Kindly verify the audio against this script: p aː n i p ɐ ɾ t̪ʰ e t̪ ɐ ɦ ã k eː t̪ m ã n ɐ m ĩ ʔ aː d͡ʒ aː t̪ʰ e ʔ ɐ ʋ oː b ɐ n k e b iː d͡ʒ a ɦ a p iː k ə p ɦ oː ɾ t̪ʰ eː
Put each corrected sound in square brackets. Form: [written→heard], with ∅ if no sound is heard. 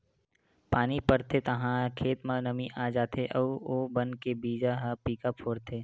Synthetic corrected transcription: p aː n i p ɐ ɾ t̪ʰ e t̪ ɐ ɦ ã [k→kʰ] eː t̪ m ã n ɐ m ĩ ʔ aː d͡ʒ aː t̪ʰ e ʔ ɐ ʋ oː b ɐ n k e b iː d͡ʒ a ɦ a p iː k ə p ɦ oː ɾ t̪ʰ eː